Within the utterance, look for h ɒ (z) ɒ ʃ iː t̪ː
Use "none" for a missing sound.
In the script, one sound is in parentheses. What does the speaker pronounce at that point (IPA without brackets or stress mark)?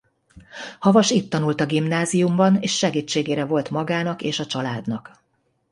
v